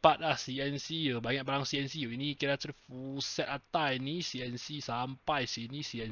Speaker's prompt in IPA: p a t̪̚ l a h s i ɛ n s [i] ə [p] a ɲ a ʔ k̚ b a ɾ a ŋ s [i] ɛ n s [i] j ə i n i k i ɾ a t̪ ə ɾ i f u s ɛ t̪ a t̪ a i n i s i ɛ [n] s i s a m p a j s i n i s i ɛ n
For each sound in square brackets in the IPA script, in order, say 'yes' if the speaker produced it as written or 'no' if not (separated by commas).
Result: yes, no, yes, yes, yes